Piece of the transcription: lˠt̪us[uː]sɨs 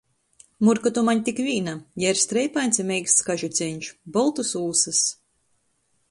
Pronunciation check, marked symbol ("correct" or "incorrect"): correct